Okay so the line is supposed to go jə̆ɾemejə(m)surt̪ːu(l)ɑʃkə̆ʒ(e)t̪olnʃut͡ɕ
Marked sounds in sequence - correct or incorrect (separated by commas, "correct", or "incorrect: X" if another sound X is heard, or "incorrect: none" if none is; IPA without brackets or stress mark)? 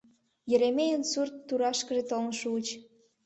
incorrect: n, incorrect: ɾ, correct